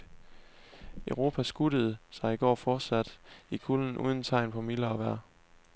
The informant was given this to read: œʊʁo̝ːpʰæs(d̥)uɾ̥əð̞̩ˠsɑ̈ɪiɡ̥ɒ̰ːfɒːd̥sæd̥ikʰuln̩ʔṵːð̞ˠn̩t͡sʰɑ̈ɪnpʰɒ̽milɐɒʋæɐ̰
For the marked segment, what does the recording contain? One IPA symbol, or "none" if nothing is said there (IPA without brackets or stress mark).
ɡ̥